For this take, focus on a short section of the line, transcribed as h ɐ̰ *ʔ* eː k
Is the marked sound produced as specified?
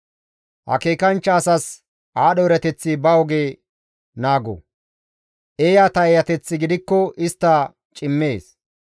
no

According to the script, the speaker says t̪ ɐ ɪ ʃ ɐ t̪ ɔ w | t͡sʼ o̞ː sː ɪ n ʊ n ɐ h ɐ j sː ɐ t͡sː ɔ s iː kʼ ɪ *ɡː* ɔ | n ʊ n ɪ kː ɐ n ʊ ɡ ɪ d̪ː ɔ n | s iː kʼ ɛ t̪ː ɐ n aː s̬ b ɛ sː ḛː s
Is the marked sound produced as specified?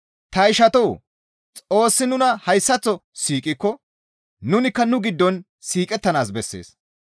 no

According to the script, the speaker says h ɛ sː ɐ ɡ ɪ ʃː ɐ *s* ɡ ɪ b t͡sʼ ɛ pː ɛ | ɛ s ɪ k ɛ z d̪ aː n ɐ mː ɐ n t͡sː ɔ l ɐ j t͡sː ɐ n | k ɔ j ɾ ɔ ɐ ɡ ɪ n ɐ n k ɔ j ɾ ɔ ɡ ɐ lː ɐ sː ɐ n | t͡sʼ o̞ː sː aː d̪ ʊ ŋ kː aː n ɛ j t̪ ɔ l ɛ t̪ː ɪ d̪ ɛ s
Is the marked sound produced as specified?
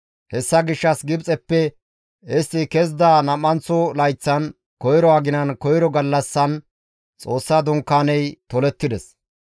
yes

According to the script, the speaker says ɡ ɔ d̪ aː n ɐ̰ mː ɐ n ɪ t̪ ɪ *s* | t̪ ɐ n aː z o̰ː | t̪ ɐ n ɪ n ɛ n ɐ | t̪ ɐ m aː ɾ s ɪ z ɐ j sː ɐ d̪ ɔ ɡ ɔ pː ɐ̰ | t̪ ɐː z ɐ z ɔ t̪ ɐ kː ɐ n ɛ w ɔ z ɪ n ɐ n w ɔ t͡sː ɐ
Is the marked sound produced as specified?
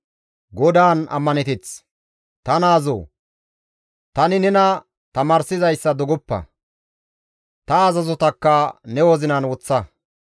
no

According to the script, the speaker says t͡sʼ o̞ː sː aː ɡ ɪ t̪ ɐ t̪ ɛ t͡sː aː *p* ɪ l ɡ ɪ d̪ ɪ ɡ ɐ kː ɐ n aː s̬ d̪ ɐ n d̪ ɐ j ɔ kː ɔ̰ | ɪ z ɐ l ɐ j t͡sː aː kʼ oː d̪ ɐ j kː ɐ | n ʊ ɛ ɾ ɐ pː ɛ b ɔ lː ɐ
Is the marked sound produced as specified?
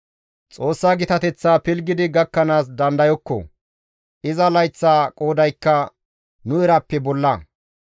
yes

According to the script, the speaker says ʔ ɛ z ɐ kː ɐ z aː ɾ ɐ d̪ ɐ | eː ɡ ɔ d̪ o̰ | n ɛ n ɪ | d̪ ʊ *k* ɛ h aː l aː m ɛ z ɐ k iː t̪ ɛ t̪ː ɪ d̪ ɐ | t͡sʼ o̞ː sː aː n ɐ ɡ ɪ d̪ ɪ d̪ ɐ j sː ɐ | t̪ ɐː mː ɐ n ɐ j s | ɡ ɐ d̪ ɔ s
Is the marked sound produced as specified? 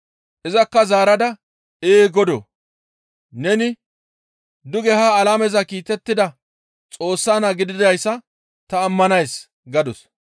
no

